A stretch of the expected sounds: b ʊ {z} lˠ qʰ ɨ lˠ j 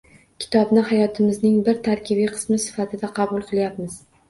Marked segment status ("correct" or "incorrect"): incorrect